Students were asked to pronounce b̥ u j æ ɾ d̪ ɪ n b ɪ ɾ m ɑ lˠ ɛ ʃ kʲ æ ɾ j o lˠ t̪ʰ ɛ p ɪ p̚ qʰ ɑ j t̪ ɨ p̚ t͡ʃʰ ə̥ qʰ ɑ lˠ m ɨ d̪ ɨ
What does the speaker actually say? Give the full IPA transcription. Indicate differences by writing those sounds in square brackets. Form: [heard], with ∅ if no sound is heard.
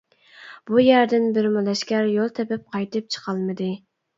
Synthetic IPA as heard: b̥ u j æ ɾ d̪ ɪ n b ɪ ɾ m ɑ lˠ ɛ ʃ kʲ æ ɾ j o lˠ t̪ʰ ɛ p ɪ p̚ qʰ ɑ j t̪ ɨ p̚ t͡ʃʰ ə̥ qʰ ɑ lˠ m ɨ d̪ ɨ